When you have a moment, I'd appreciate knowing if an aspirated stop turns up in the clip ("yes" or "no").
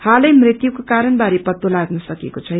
yes